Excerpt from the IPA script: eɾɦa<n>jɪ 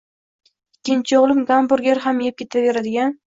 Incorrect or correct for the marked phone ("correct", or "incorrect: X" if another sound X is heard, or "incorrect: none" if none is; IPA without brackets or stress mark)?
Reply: incorrect: m